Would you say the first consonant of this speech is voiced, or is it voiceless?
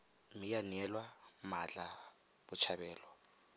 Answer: voiced